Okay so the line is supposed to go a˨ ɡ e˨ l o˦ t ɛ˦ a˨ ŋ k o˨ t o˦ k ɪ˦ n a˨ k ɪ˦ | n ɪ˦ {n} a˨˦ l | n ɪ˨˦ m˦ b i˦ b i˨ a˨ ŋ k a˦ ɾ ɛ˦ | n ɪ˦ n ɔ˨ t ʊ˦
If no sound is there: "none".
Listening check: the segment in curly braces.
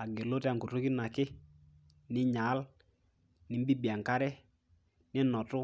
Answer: ɲ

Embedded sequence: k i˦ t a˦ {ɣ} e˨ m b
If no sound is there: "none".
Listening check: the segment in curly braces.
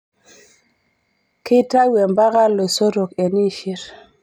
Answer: w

